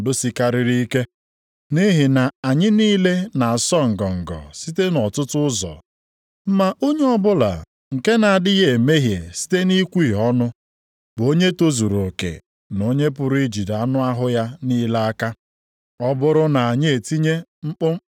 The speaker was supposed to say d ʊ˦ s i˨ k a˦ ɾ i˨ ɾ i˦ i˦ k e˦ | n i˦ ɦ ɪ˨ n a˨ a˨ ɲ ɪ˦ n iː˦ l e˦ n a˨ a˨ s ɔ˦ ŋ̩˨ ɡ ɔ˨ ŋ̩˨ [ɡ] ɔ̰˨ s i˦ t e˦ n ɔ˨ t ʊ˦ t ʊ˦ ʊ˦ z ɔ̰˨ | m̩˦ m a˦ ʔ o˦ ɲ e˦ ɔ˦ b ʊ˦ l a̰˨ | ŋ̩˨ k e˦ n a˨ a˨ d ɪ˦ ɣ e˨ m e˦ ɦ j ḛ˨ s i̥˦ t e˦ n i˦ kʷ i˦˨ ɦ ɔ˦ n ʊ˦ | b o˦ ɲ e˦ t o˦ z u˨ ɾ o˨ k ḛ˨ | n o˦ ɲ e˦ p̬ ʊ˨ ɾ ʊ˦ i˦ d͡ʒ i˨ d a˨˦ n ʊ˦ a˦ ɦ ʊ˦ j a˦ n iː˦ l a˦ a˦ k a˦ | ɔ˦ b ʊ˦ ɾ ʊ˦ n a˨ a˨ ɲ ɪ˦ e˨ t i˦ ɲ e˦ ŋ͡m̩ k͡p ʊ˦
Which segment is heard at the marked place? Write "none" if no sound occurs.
ɡ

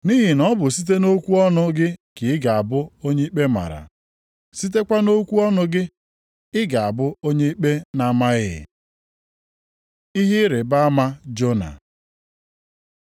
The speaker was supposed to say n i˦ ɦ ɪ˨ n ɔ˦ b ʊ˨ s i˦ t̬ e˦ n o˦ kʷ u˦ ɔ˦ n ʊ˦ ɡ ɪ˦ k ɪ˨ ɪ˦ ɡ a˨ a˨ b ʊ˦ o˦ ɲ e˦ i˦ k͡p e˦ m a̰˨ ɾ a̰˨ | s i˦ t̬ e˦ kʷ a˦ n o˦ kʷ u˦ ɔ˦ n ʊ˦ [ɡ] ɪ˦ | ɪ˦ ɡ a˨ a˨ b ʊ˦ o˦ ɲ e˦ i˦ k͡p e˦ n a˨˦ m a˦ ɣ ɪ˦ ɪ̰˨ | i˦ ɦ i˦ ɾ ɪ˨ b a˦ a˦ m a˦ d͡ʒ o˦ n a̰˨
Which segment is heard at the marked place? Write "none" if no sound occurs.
ɡ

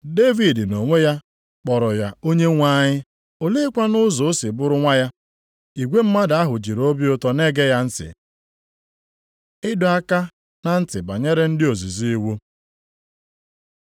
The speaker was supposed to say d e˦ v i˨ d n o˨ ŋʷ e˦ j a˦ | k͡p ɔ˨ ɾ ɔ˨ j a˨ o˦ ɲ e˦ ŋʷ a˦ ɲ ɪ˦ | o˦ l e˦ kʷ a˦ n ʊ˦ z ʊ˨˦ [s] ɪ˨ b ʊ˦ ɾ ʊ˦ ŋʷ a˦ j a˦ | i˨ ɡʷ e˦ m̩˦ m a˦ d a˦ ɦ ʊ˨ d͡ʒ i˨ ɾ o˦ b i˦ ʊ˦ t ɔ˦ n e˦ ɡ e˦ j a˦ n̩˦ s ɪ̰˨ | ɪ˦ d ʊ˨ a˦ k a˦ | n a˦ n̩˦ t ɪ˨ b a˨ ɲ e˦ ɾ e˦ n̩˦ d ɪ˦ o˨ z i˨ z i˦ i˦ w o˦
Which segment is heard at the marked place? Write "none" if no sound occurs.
s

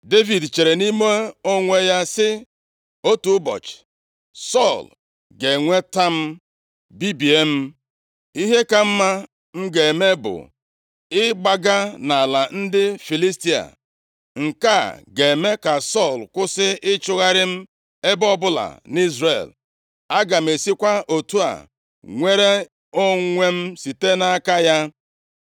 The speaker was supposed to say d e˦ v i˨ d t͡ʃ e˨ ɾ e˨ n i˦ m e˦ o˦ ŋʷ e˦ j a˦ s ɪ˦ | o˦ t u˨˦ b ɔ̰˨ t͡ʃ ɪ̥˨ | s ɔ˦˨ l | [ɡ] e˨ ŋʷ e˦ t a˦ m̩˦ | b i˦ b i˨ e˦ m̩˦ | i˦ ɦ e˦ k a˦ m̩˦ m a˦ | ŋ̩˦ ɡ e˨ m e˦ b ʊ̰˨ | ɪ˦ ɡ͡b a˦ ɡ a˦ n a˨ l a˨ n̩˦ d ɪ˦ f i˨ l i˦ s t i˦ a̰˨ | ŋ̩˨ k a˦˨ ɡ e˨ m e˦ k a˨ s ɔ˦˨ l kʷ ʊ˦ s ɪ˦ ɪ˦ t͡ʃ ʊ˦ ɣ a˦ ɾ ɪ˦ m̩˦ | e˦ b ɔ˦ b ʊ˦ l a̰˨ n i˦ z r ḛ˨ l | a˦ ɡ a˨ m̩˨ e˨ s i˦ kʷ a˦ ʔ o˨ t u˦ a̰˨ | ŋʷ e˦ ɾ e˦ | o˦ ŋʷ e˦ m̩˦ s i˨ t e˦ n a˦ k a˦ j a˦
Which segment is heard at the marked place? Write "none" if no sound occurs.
ɡ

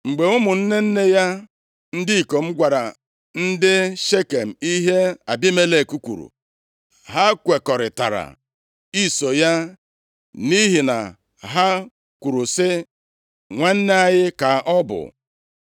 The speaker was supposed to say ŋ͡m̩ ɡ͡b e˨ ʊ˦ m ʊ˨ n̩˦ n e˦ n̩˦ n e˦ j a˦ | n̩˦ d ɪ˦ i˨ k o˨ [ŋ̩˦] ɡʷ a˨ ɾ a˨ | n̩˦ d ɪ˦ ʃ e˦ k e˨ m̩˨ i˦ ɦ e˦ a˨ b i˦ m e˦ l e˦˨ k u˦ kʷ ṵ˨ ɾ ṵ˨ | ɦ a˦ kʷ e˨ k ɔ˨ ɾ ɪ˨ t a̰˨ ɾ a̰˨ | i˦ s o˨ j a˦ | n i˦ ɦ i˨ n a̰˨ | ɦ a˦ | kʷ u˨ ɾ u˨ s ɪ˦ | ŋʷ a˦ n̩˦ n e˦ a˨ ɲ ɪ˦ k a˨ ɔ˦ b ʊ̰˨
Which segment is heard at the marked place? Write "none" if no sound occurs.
m̩˦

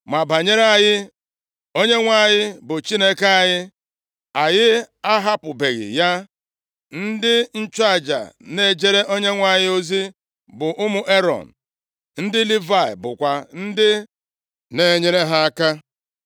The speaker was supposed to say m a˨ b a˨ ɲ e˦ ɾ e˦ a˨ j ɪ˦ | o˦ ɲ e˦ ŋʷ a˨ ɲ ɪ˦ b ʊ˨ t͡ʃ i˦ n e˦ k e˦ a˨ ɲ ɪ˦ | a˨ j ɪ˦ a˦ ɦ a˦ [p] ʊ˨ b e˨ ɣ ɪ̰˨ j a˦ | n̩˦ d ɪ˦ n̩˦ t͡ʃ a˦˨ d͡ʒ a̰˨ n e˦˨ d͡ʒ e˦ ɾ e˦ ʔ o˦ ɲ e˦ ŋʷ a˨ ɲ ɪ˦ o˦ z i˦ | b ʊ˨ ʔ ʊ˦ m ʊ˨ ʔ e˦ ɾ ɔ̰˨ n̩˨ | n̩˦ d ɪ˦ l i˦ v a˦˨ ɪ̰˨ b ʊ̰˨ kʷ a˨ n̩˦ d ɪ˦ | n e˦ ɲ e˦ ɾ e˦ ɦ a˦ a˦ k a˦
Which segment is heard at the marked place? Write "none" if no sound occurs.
p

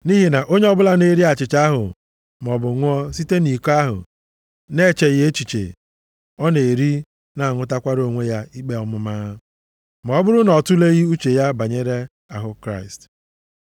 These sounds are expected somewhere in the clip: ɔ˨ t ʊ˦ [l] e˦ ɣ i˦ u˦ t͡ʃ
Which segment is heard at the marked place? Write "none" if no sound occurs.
l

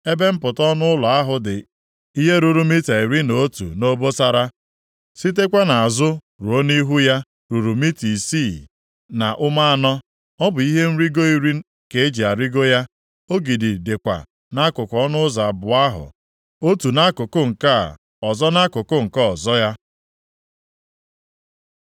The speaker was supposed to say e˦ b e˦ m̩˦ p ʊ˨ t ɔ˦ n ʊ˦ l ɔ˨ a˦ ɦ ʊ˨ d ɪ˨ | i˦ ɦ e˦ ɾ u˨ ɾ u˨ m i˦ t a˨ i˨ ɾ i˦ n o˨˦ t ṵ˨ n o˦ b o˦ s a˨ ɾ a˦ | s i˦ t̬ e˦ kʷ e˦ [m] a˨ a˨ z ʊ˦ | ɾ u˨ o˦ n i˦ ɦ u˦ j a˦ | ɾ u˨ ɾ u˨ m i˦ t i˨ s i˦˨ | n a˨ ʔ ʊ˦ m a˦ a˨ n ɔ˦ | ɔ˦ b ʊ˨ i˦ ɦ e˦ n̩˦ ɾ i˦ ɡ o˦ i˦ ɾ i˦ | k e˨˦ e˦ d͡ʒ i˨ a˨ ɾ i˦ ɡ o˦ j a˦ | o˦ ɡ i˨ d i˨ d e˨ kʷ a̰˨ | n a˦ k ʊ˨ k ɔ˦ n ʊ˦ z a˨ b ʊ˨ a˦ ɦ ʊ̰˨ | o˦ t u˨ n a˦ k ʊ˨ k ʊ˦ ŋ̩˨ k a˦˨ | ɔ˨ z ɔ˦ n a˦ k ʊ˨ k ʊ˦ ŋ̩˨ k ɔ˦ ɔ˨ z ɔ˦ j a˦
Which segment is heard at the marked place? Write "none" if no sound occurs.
n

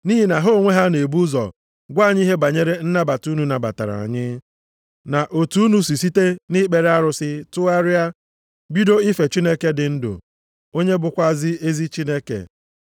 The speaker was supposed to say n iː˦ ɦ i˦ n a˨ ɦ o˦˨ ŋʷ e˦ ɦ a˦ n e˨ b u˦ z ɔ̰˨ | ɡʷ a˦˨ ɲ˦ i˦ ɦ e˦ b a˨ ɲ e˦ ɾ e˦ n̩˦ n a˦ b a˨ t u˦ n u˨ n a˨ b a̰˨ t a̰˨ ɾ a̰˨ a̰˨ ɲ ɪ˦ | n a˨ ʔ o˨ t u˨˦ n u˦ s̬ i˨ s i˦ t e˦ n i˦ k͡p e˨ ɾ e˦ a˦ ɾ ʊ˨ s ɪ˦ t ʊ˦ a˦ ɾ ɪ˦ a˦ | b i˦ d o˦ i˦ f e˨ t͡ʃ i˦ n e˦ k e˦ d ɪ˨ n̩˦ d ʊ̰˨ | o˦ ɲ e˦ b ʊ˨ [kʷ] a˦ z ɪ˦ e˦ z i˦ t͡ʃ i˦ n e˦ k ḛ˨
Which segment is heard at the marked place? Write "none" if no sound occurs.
kʷ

